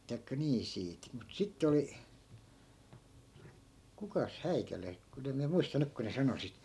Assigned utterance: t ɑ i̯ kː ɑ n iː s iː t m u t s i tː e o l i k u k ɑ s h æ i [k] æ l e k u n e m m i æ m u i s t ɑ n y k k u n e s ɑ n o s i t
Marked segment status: correct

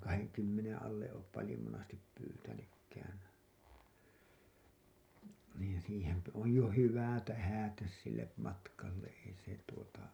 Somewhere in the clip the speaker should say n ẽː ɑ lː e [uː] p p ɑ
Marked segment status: incorrect: oː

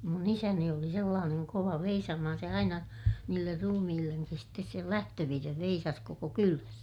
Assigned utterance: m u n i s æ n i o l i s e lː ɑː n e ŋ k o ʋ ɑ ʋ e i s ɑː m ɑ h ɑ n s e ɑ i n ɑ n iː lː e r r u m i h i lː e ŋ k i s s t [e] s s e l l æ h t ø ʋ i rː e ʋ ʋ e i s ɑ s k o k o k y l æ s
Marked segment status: correct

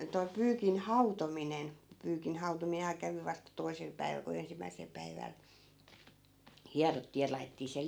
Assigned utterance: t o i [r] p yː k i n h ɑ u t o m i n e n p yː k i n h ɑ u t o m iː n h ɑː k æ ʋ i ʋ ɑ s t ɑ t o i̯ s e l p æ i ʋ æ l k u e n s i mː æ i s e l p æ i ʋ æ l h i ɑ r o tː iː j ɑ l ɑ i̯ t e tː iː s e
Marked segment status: incorrect: none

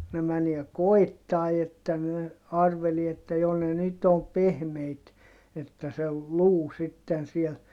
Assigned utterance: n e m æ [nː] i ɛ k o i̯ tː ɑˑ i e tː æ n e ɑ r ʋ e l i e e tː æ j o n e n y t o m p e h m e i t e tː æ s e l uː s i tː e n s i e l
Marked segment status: incorrect: n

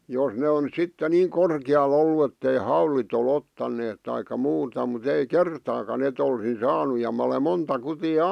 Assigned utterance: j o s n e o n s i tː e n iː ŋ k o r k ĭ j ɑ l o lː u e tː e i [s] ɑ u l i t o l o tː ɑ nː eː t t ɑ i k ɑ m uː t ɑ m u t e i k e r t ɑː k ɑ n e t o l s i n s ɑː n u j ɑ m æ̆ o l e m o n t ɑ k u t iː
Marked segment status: incorrect: h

